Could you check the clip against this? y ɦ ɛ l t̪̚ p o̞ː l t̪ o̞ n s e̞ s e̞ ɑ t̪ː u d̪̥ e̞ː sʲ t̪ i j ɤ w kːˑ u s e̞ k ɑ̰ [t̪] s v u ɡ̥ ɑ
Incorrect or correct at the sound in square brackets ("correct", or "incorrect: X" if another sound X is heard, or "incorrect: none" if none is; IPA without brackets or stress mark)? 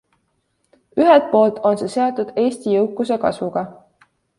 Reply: incorrect: none